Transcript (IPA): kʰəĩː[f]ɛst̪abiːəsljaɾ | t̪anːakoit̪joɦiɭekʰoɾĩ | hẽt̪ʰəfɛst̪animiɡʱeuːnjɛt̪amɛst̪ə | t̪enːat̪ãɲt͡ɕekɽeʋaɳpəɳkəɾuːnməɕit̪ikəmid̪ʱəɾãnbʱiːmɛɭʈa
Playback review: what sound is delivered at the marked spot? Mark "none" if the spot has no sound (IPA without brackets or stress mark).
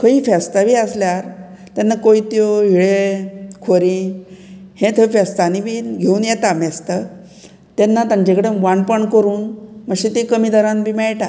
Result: f